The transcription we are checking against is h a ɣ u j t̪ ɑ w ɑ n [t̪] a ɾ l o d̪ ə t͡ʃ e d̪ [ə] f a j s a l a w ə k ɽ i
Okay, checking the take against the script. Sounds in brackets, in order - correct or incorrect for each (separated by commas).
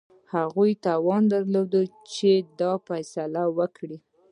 incorrect, incorrect